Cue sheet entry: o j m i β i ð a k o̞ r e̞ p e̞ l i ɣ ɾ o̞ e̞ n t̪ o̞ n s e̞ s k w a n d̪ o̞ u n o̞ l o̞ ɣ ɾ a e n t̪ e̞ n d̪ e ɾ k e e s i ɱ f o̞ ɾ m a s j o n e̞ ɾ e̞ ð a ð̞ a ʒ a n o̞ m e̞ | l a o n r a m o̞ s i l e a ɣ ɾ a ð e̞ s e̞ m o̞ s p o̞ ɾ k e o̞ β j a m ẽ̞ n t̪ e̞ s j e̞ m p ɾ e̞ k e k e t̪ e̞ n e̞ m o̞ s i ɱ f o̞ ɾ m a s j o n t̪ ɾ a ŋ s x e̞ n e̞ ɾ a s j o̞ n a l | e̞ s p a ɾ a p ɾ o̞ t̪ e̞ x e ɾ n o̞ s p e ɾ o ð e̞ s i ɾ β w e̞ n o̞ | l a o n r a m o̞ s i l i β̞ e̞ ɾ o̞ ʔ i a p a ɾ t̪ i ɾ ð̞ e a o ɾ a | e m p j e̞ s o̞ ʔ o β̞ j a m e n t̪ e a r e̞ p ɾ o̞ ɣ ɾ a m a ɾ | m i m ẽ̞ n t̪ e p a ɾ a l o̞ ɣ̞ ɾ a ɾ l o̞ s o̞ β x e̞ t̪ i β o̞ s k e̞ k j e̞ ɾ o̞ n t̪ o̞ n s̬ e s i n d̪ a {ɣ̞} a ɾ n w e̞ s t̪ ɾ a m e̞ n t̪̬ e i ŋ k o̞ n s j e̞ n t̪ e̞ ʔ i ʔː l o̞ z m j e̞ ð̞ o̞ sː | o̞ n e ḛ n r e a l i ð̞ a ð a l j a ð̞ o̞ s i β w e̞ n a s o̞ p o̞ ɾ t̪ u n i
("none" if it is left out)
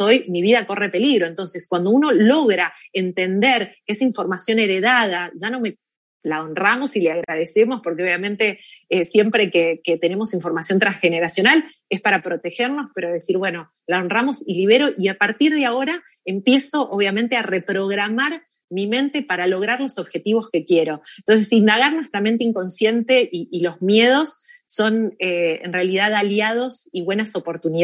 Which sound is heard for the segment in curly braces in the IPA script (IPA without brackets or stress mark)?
ɣ̞